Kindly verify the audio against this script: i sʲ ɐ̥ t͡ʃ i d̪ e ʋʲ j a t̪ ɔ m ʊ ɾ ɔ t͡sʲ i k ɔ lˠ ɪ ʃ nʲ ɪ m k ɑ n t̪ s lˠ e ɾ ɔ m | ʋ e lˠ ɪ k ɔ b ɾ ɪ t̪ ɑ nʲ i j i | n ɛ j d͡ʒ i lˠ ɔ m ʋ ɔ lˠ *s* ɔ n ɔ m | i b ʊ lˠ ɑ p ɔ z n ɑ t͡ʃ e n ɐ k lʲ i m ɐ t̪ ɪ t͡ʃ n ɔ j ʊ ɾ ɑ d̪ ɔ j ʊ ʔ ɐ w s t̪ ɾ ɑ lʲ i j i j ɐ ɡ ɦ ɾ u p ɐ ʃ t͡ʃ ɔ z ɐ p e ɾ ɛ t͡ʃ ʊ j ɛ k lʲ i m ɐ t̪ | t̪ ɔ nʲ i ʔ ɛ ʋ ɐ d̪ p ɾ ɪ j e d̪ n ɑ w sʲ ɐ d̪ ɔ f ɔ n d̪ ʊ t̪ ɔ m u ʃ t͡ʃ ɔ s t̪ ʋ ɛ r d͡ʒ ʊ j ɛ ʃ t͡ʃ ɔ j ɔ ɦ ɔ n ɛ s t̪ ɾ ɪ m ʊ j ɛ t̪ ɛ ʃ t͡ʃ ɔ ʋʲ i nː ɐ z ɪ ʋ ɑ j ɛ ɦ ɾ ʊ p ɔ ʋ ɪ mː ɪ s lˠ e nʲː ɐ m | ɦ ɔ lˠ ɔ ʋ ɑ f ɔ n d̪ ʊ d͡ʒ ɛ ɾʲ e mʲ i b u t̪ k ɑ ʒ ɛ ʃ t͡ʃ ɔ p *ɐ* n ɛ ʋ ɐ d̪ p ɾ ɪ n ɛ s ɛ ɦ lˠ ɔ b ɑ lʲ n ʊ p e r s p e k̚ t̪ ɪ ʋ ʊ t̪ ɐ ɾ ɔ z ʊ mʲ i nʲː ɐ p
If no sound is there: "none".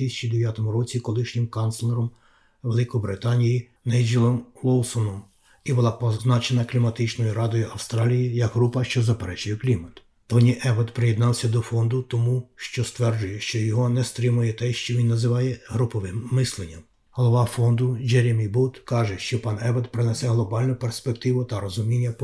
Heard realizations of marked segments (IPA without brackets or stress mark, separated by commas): s, ɑ